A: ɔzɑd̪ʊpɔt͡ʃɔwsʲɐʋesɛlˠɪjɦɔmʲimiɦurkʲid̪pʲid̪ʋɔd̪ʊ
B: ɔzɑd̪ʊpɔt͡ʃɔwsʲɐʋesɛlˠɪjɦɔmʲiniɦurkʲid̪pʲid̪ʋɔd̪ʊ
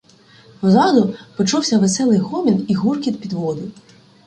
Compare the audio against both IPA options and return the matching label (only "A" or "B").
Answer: B